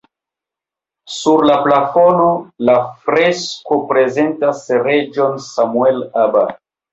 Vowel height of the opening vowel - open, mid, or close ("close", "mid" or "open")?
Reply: close